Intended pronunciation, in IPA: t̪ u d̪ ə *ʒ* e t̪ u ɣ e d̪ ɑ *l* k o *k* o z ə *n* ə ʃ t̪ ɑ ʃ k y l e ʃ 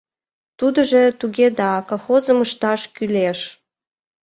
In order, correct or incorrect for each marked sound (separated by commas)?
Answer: correct, incorrect, incorrect, incorrect